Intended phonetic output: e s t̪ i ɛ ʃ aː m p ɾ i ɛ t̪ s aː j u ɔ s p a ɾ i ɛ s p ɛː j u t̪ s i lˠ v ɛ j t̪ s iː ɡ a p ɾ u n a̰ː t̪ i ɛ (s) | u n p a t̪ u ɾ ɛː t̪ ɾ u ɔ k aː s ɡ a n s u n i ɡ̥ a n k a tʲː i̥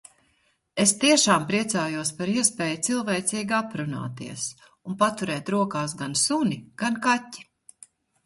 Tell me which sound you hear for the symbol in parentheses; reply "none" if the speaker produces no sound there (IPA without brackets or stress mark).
s